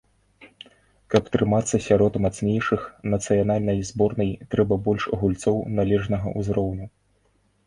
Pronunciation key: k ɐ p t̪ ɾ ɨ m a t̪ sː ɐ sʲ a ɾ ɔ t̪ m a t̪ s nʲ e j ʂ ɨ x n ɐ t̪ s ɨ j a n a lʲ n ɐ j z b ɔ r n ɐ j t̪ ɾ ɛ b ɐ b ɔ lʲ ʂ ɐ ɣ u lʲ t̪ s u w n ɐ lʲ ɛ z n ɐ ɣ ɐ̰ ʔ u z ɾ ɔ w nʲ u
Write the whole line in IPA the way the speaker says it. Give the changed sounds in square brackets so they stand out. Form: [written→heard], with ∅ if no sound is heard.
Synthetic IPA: k ɐ p t̪ ɾ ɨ m a t̪ sː ɐ sʲ a ɾ ɔ t̪ m a t̪ s nʲ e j ʂ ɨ x n ɐ t̪ s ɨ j a n a lʲ n ɐ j z b ɔ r n ɐ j t̪ ɾ ɛ b ɐ b ɔ lʲ ʂ ɐ ɣ u lʲ t̪ s [u→ɔ] w n [ɐ→a] lʲ ɛ [z→ʐ] n ɐ ɣ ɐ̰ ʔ u z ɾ ɔ w nʲ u